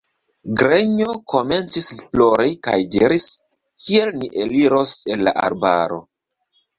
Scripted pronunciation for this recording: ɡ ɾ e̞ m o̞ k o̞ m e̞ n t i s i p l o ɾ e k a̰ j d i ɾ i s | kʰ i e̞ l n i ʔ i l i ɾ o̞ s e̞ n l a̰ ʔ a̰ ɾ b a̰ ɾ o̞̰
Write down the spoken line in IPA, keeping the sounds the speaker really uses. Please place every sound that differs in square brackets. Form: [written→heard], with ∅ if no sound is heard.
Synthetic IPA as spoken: ɡ ɾ e̞ [m→ɲ] o̞ k o̞ m e̞ n [t→t͡s] i s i p l o ɾ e k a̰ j d i ɾ i s | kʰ i e̞ l n i ʔ [i→e] l i ɾ o̞ s e̞ n l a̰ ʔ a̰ ɾ b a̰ ɾ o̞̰